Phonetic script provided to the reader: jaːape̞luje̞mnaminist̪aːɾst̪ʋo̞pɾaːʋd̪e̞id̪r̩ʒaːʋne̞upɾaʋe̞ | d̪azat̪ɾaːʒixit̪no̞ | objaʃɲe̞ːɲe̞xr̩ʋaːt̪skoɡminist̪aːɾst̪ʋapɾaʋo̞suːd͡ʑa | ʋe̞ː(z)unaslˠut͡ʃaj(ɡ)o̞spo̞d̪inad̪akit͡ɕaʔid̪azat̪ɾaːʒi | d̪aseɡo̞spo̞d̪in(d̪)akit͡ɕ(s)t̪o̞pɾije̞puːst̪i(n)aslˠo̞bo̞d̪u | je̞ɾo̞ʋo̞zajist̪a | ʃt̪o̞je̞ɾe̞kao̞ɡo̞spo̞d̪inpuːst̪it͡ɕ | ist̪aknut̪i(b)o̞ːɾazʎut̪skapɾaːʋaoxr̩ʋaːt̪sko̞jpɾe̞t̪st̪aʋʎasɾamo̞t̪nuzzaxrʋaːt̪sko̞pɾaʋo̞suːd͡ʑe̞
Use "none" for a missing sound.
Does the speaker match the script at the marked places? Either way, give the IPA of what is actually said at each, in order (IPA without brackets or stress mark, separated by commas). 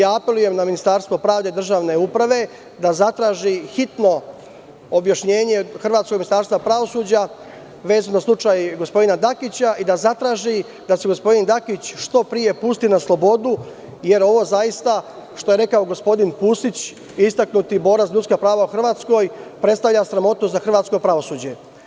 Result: z, ɡ, d̪, ʃ, n, b